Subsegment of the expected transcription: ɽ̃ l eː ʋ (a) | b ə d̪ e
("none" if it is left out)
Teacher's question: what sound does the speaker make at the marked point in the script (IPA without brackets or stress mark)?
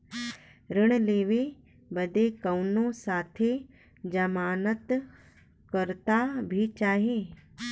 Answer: e